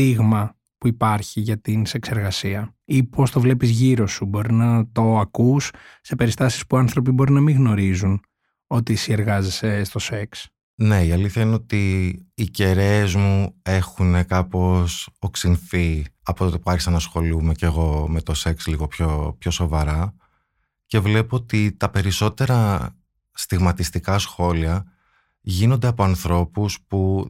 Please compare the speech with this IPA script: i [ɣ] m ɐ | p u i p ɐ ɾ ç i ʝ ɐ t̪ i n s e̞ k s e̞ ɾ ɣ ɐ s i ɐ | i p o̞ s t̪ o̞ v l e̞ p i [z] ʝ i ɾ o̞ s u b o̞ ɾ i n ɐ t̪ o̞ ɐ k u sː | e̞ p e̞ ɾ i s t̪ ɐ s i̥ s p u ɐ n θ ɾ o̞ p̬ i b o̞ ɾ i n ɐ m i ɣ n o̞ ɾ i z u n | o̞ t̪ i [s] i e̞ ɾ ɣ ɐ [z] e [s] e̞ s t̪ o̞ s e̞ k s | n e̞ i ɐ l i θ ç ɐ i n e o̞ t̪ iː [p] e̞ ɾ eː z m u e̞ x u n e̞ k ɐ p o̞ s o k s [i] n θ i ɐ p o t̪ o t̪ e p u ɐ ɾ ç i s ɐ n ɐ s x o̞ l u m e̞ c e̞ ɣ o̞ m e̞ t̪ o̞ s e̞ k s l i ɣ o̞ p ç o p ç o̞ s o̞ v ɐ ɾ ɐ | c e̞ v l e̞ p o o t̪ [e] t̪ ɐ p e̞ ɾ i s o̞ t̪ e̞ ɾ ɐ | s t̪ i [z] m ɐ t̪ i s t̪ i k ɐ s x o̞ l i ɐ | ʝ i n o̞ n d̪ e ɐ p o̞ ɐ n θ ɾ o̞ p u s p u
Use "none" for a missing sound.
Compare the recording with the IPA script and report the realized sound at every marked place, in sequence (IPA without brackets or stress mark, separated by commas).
ɣ, z, s, z, s, c, i, i, ɣ